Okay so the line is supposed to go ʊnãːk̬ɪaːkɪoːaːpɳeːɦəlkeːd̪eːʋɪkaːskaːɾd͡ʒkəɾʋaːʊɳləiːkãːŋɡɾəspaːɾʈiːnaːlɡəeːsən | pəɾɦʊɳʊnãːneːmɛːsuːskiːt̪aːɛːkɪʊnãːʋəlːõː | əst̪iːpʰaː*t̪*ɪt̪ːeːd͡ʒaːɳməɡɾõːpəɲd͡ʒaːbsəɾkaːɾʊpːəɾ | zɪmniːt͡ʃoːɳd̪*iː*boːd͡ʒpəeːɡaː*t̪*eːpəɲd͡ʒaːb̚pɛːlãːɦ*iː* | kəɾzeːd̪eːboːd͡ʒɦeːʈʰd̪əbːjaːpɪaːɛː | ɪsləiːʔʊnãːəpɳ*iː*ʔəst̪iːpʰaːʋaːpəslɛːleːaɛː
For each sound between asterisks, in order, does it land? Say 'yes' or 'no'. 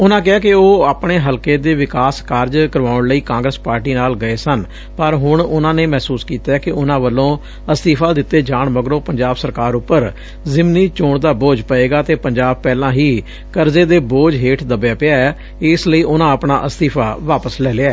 no, no, yes, yes, no

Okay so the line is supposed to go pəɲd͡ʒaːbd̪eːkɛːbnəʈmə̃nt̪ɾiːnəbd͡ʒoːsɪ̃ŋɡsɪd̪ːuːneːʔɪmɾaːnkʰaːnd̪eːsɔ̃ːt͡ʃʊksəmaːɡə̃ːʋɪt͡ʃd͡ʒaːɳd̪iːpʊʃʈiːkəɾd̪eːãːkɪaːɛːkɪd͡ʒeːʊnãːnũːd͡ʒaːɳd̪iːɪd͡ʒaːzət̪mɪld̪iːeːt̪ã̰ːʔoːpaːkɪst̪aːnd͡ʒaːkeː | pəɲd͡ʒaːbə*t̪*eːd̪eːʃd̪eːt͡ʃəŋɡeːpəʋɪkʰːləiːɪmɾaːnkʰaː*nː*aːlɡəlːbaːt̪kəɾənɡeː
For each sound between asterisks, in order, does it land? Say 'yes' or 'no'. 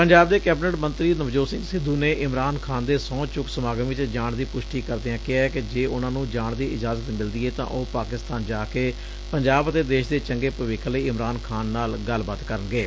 yes, yes

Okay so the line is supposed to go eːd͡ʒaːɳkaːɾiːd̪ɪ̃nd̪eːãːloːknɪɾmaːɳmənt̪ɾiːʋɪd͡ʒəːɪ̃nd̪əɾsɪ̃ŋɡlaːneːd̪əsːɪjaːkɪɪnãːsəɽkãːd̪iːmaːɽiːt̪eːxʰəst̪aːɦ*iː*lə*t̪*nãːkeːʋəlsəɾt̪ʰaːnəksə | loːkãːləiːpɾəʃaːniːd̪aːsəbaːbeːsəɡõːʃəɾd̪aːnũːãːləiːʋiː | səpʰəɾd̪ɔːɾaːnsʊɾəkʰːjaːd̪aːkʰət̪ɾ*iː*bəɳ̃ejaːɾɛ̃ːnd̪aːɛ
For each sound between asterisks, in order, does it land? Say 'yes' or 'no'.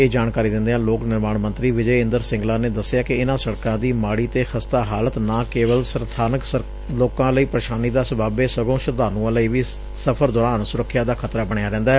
no, yes, no

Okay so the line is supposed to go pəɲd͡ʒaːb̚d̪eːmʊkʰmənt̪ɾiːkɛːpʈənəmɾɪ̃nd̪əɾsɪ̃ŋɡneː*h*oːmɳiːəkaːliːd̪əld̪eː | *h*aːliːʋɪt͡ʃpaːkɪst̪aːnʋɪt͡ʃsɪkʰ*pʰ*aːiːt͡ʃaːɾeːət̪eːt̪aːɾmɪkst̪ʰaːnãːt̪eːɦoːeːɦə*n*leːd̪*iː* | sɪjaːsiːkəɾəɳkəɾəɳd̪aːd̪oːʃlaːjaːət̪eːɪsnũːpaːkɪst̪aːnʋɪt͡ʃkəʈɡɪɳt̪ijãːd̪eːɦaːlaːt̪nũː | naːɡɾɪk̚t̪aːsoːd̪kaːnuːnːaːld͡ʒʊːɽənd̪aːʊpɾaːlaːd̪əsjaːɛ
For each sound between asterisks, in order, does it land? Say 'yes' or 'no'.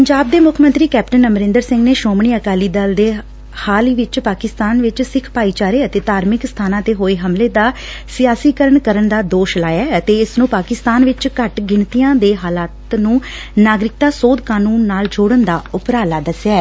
no, yes, no, no, no

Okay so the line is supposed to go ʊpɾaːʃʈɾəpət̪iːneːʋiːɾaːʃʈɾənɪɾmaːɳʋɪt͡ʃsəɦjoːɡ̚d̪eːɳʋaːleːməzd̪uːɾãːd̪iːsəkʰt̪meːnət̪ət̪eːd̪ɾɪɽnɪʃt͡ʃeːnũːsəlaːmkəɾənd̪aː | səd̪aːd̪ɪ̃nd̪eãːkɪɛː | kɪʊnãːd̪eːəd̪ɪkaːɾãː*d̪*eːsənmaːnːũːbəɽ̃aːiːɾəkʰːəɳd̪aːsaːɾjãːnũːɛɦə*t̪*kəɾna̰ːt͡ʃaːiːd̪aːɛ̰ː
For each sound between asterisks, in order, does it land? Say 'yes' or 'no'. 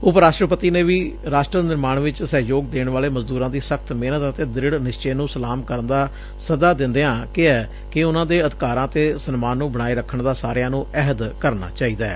no, no

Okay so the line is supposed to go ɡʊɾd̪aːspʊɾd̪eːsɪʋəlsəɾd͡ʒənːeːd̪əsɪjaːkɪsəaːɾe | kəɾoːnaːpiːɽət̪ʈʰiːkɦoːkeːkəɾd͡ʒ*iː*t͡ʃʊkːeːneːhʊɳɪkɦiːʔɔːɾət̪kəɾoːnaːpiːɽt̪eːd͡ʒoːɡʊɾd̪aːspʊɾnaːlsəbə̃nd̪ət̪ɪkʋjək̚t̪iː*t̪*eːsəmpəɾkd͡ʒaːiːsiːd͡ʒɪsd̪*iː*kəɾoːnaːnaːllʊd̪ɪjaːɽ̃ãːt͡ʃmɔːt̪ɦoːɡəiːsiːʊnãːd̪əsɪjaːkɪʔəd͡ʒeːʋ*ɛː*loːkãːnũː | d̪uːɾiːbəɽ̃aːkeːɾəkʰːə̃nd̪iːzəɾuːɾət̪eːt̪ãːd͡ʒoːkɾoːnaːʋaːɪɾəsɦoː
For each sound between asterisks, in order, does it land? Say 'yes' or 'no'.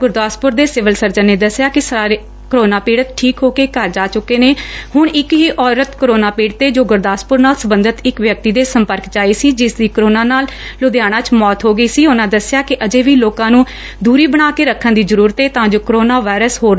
no, no, yes, no

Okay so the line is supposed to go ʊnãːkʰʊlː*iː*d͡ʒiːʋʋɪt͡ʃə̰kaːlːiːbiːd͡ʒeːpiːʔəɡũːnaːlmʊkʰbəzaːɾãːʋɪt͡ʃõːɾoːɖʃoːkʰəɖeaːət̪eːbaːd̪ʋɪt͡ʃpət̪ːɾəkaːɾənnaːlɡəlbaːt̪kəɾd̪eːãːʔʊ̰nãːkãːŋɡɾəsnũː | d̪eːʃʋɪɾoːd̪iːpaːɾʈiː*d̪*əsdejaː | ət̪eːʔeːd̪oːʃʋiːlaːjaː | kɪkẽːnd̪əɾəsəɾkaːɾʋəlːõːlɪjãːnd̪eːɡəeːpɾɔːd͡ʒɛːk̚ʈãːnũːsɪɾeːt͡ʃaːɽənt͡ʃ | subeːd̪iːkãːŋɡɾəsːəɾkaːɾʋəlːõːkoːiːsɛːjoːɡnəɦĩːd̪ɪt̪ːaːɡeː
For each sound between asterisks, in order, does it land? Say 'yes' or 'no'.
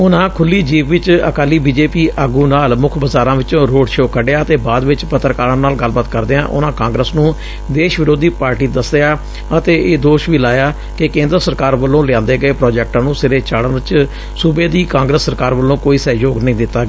yes, yes

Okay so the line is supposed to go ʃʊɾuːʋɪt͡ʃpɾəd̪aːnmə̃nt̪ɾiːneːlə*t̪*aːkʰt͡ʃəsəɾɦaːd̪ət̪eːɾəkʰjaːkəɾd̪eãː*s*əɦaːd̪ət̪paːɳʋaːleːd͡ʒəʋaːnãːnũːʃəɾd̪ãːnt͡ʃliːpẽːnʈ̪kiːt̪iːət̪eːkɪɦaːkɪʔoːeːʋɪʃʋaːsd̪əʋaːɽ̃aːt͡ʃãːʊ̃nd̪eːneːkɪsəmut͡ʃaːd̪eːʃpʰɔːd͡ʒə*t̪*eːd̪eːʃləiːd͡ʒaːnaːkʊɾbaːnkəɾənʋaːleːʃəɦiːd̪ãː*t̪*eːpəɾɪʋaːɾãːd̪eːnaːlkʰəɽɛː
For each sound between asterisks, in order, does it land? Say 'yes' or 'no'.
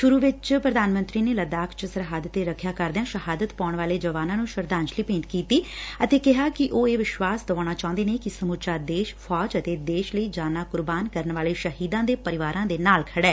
no, no, yes, no

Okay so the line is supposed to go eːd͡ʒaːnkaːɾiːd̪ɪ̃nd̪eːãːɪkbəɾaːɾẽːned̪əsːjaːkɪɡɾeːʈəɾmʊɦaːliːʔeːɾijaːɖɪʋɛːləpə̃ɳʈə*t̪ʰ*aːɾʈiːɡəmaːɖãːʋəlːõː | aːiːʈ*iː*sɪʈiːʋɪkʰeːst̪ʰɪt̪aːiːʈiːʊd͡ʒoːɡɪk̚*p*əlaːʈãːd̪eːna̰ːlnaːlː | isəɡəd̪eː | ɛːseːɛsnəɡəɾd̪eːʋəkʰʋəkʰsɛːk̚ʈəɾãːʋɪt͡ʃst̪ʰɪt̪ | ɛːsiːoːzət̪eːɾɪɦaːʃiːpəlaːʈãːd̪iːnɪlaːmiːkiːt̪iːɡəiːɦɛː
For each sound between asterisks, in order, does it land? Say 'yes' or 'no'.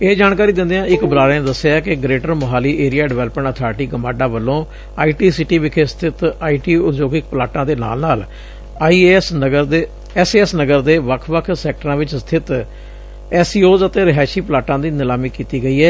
yes, yes, yes

